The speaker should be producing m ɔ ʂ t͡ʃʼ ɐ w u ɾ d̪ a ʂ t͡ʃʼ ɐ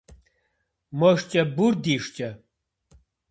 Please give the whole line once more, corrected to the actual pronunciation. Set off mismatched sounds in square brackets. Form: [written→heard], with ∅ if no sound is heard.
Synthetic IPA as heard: m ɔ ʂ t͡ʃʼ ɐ [w→b] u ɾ d̪ [a→i] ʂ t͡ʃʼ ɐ